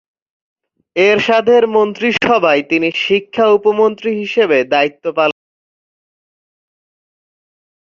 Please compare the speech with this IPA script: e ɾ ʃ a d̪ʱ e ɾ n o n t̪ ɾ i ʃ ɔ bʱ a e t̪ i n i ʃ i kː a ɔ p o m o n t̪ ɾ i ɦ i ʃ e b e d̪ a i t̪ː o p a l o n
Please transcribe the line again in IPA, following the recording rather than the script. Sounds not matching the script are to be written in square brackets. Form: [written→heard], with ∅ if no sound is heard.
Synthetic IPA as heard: e ɾ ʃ a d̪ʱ e ɾ [n→m] o n t̪ ɾ i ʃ ɔ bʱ a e t̪ i n i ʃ i [kː→kʰː] a [ɔ→u] p o m o n t̪ ɾ i ɦ i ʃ e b e d̪ a i t̪ː o p a l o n